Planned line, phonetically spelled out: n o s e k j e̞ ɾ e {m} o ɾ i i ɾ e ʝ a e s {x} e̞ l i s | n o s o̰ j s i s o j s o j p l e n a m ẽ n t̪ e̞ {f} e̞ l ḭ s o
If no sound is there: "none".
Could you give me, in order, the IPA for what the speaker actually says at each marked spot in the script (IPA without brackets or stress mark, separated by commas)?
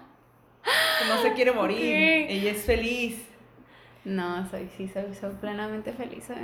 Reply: m, f, f